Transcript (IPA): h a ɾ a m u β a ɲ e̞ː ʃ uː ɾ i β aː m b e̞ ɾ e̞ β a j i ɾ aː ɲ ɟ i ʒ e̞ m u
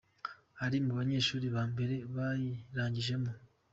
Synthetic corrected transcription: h a ɾ i m u β a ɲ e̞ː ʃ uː ɾ i β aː m b e̞ ɾ e̞ β a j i ɾ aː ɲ ɟ i ʒ e̞ m u